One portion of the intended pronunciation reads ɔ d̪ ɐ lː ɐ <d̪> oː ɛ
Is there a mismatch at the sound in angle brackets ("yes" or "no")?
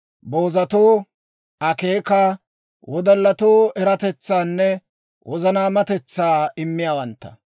yes